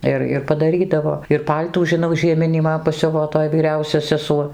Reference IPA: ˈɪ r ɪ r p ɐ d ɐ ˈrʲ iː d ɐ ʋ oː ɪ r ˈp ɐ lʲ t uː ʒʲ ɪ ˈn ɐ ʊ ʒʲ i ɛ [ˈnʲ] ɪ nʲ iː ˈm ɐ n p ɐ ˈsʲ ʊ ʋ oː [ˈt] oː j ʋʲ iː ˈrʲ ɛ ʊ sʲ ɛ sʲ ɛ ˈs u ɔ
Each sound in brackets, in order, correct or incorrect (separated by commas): incorrect, correct